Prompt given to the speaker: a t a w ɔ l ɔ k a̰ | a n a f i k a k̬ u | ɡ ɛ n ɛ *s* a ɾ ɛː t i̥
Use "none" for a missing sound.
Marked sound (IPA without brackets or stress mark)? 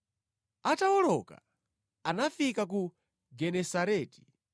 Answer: s